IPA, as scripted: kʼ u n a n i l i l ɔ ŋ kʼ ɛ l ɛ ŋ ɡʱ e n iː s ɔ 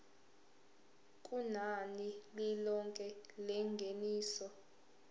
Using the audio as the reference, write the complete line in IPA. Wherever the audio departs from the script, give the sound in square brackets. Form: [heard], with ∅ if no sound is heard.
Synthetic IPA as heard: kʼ u n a n i l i l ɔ ŋ kʼ ɛ l ɛ ŋ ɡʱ e n iː s ɔ